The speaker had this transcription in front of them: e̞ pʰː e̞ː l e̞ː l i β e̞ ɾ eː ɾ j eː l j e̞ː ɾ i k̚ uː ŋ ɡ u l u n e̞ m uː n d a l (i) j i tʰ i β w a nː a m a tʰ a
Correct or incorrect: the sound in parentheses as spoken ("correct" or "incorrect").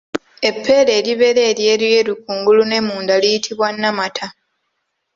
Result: correct